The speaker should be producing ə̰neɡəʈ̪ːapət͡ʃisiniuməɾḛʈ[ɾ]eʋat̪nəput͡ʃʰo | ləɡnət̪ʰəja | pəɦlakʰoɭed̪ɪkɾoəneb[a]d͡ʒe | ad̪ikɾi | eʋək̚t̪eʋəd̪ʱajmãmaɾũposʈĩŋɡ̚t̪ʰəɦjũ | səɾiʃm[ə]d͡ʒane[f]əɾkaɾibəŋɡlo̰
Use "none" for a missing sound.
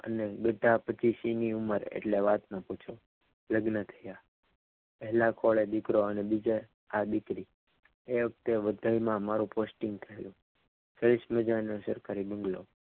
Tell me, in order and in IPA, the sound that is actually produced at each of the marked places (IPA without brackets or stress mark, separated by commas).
l, i, ə, s